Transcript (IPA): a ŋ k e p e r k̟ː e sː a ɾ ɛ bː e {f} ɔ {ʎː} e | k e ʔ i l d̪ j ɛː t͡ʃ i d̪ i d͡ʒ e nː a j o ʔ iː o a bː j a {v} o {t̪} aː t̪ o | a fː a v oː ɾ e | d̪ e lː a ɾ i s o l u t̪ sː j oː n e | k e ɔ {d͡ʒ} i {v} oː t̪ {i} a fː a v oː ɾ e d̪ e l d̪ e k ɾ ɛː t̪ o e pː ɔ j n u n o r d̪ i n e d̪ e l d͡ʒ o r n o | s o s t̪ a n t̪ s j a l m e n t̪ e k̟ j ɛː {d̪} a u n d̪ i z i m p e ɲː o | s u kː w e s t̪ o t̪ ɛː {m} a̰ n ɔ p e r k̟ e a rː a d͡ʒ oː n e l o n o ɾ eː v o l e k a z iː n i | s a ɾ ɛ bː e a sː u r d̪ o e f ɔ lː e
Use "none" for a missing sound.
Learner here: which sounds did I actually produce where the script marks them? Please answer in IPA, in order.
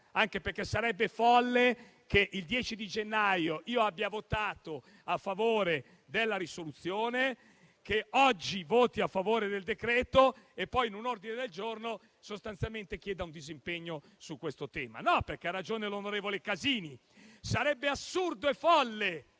f, lː, v, t̪, d͡ʒː, v, i, d̪, m

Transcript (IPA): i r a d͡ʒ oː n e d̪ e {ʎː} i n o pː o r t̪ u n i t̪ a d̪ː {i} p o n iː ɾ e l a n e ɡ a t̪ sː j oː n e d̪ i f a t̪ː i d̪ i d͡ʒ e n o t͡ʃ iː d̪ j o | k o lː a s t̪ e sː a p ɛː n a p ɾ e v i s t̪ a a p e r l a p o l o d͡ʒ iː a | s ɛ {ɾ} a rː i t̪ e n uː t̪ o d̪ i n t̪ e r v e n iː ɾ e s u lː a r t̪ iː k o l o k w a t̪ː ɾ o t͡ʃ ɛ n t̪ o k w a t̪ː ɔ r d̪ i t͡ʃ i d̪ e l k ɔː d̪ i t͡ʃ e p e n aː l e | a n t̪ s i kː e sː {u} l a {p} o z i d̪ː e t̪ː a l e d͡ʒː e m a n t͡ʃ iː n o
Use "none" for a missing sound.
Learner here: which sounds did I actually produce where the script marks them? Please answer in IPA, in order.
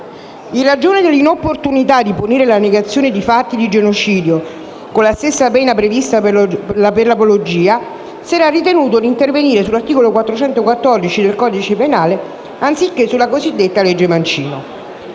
lː, i, ɾ, u, k

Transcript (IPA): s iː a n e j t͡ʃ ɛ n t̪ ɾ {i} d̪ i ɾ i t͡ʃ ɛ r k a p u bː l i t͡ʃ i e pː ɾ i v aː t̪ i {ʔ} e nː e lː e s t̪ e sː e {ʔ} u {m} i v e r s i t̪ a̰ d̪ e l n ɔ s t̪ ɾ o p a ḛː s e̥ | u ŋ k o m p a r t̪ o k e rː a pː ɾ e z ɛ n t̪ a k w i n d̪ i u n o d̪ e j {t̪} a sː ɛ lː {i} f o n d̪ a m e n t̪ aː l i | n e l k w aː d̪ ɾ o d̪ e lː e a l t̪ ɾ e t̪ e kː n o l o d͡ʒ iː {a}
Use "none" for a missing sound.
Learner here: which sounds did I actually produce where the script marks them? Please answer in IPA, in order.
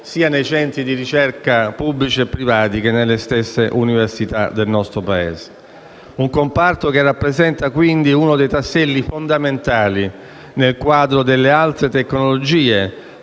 i, k, ʔ, n, t̪, i, e

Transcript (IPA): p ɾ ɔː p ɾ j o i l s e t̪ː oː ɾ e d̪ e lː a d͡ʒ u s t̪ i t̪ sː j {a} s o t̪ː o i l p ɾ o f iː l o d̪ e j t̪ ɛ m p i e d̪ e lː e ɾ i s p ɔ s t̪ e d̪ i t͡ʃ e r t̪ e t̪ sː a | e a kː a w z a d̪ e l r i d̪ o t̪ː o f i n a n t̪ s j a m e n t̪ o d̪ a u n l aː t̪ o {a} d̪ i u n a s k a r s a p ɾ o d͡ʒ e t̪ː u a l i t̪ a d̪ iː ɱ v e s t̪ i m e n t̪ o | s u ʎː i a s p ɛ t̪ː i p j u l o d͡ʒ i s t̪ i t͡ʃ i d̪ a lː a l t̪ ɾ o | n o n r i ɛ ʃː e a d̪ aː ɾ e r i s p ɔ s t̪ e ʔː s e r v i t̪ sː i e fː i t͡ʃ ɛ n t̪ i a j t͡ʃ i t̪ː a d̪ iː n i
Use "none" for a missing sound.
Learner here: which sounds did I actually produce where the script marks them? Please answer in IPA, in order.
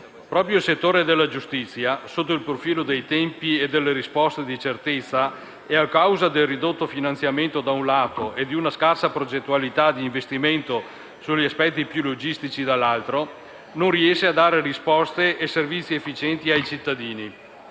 a, e

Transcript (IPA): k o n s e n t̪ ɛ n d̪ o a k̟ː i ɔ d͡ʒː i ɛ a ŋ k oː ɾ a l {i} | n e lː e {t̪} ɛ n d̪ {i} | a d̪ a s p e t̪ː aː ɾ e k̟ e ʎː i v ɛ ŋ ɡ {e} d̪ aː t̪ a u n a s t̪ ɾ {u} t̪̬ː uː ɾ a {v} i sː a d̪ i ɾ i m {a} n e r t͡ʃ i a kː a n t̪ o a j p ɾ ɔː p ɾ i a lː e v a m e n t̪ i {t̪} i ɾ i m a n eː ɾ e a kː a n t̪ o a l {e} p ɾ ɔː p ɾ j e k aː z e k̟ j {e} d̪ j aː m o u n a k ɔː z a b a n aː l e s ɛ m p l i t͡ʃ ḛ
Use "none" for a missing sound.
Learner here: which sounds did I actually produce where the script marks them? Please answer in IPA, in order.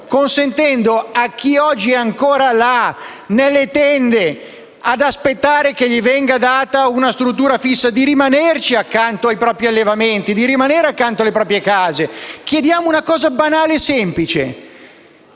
a, t̪, e, a, u, f, a, d̪, e, e

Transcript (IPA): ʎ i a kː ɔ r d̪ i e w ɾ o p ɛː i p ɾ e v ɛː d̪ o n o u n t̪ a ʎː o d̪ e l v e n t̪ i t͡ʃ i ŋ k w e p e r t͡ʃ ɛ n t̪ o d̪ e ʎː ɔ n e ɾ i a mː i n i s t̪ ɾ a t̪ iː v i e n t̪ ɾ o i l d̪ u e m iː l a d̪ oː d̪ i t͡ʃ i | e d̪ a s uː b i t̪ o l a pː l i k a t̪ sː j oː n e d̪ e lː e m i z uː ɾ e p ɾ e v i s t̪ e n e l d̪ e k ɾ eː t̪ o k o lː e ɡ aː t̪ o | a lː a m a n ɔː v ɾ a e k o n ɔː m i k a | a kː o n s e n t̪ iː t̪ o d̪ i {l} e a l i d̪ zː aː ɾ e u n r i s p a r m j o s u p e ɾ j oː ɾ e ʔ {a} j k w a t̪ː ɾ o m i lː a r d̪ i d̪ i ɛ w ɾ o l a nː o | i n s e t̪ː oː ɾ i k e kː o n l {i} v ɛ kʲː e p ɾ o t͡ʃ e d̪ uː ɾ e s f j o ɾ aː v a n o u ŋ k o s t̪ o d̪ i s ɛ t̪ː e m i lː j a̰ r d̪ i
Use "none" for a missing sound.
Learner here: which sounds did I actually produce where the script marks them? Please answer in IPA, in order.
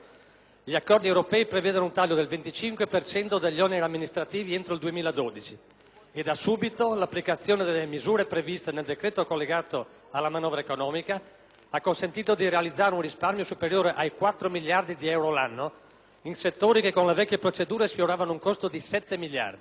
ɾ, a, e

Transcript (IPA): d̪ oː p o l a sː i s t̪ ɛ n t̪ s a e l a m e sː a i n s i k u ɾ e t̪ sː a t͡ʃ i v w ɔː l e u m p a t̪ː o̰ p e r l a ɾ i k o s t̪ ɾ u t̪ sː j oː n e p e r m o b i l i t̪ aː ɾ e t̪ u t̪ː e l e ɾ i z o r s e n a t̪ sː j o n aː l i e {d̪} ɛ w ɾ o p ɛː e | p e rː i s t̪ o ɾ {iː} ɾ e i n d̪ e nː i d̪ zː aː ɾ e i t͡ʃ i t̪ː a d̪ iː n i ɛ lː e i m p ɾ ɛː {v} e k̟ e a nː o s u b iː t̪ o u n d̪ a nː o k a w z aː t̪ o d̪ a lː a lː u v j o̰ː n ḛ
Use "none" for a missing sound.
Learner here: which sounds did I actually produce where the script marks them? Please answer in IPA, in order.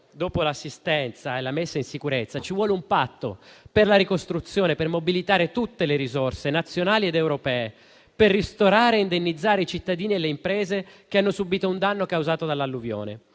d̪, aː, z

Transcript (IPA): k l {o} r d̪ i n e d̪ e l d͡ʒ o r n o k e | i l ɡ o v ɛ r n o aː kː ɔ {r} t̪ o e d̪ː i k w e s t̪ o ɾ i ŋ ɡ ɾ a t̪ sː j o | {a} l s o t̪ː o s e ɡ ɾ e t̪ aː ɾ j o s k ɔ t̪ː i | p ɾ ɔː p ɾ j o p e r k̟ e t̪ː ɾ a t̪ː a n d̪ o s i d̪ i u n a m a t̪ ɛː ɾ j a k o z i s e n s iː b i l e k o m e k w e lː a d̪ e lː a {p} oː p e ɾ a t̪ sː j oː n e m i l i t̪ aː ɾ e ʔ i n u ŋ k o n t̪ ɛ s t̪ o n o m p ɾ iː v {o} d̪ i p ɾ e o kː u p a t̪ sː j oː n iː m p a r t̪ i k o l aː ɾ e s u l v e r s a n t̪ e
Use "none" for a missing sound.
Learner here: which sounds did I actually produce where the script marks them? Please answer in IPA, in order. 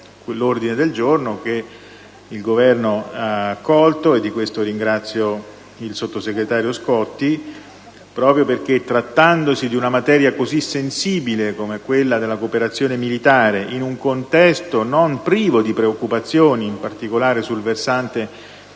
o, l, i, k, o

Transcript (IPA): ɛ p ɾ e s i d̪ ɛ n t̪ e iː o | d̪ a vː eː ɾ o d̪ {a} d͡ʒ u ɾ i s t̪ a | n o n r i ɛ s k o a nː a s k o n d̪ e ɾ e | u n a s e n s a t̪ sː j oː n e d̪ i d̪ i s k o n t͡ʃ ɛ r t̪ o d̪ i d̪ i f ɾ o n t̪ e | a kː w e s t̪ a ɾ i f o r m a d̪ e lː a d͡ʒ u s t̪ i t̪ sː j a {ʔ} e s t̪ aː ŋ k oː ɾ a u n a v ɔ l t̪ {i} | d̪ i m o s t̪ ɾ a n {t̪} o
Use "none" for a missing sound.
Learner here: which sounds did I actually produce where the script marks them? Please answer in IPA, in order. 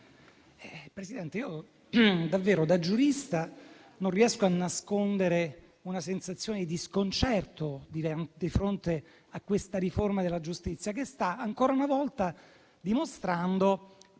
a, k, a, d̪

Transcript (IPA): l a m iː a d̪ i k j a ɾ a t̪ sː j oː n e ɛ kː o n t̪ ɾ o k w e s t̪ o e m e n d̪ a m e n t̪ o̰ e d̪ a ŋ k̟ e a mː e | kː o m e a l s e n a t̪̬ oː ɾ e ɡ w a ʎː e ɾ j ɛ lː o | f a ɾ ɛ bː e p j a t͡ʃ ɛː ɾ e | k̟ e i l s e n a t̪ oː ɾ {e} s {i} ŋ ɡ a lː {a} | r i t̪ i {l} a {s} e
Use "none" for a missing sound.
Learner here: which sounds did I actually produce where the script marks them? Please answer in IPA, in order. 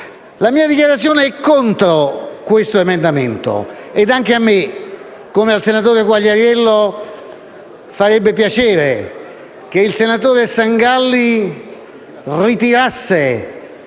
e, a, i, ɾ, sː

